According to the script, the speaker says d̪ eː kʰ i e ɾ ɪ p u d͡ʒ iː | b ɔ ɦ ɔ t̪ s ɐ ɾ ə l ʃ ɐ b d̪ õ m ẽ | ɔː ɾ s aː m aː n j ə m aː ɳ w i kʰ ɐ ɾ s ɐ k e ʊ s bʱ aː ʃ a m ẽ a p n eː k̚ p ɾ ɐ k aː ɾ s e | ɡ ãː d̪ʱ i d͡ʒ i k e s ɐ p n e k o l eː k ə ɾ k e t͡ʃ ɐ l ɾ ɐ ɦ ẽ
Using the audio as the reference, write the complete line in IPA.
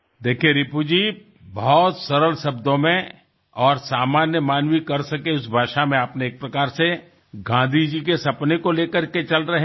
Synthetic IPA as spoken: d̪ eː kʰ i e ɾ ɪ p u d͡ʒ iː | b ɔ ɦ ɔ t̪ s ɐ ɾ ə l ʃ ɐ b d̪ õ m ẽ | ɔː ɾ s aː m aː n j ə m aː n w i k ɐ ɾ s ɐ k e ʊ s bʱ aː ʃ a m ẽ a p n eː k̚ p ɾ ɐ k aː ɾ s e | ɡ ãː d̪ʱ i d͡ʒ i k e s ɐ p n e k o l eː k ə ɾ k e t͡ʃ ɐ l ɾ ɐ ɦ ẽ